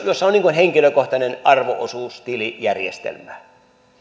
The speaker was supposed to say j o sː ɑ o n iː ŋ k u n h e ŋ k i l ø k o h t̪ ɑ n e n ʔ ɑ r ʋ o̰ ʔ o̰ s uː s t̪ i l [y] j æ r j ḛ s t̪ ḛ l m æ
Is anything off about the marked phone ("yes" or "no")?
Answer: yes